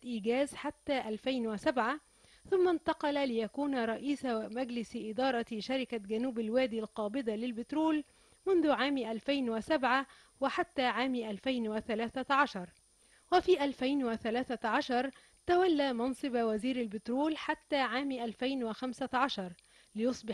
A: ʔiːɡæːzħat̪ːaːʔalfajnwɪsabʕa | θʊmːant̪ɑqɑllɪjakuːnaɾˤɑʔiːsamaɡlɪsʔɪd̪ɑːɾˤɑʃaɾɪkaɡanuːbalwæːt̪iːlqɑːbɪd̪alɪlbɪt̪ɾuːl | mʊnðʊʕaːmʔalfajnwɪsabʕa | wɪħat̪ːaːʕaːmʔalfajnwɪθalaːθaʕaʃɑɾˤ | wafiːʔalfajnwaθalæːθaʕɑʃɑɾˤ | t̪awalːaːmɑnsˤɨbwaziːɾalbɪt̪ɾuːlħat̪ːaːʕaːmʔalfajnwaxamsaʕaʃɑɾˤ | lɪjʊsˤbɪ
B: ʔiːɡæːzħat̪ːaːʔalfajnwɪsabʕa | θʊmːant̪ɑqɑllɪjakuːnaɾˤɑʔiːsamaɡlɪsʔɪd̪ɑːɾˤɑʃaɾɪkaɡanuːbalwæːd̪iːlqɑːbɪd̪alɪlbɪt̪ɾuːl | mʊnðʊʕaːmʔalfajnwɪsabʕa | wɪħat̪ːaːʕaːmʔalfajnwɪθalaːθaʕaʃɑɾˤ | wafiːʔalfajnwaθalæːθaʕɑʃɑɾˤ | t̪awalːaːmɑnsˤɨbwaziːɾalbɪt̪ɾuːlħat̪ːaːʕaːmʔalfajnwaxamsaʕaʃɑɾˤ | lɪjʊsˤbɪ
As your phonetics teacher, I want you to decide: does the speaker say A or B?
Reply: B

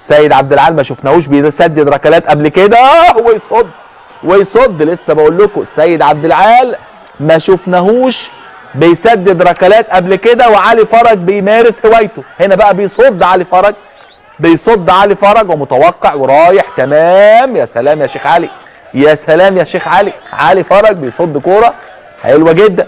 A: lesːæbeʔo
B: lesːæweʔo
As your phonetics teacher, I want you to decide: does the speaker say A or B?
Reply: A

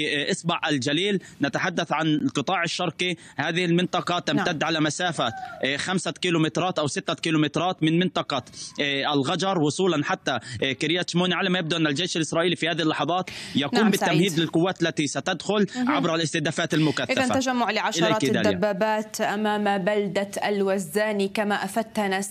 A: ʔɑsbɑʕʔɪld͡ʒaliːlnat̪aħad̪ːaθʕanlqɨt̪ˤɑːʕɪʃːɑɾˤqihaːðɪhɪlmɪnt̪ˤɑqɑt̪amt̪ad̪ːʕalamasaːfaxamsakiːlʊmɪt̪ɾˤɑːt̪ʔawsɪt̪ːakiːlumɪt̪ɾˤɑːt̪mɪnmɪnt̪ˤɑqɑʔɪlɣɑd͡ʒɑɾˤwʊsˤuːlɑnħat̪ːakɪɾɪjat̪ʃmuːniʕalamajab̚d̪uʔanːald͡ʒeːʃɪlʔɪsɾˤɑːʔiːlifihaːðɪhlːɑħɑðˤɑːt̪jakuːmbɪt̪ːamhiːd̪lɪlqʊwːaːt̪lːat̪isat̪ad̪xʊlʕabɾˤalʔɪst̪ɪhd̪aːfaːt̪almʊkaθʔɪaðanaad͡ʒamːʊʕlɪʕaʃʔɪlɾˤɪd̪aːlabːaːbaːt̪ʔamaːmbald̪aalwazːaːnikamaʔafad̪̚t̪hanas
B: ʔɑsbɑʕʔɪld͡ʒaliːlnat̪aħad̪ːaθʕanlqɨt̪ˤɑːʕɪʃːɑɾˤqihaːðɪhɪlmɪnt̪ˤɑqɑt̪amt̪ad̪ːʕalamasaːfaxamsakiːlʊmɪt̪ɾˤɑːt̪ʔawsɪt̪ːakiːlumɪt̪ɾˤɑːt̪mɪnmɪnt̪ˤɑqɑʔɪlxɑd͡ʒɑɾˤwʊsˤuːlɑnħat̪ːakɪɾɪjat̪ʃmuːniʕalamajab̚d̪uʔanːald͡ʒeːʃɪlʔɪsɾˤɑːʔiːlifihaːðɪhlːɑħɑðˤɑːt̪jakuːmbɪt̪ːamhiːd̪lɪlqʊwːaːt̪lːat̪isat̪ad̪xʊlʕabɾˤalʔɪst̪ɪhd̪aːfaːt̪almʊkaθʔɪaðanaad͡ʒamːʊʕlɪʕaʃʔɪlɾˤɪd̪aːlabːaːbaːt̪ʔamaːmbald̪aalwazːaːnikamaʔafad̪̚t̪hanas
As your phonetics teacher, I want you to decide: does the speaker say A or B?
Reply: A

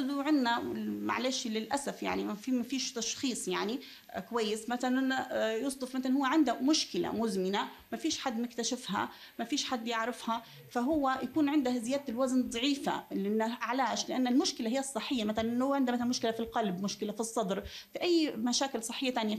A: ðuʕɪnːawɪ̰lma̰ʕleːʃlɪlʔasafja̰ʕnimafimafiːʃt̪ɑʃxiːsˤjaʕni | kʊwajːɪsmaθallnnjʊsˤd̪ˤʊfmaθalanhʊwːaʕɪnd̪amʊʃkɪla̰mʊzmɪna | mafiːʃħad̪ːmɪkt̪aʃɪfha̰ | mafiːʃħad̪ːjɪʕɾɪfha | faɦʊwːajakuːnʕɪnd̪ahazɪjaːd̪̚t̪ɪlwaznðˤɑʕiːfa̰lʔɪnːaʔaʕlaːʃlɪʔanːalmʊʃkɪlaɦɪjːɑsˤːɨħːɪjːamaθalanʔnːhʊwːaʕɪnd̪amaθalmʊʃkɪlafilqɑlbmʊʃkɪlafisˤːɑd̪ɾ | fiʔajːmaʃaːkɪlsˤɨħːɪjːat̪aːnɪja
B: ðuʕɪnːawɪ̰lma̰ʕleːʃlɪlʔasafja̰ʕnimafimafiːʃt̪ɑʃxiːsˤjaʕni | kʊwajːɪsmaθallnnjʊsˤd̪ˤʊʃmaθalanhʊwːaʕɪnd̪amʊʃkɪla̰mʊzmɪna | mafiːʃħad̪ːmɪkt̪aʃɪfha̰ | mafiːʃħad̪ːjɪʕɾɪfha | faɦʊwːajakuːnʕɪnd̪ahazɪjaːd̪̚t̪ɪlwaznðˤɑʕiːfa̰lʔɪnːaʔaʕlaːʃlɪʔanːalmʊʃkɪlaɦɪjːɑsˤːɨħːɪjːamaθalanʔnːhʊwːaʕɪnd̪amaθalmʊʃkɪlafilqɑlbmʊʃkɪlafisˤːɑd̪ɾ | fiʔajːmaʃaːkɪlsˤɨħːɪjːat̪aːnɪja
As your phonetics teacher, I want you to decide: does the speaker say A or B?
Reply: A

